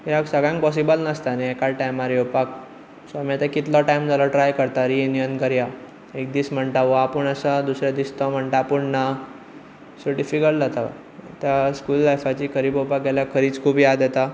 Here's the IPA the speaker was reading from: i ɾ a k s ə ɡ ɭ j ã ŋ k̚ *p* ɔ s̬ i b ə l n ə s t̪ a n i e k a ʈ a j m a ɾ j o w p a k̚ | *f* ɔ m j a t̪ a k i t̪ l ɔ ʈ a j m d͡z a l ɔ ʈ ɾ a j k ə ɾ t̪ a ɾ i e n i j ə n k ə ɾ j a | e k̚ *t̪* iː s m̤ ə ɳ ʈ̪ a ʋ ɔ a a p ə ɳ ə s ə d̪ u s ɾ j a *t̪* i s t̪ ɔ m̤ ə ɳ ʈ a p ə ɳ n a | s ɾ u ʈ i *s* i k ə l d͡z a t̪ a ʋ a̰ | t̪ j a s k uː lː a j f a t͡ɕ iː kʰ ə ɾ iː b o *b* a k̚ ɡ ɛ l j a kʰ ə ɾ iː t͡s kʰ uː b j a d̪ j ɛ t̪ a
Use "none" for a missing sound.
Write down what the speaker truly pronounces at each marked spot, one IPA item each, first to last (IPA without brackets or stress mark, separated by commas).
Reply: p, s, d̪, d̪, f, p